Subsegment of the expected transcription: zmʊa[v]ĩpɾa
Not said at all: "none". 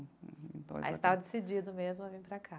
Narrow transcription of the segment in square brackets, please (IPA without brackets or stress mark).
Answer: v